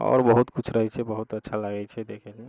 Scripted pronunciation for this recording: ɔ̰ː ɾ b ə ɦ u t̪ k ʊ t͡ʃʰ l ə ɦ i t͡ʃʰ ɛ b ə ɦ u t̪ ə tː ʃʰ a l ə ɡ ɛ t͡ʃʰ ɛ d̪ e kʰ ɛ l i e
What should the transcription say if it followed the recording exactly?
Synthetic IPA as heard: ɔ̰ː ɾ b ə ɦ u t̪ k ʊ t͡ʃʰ ɾ ə ɦ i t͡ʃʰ ɛ b ə ɦ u t̪ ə tː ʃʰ a l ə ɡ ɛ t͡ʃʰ ɛ d̪ e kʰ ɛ l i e